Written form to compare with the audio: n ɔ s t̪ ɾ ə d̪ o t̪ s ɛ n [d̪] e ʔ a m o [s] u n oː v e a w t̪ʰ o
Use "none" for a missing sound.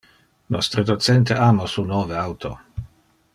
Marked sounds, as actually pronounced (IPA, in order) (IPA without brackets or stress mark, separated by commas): t̪, s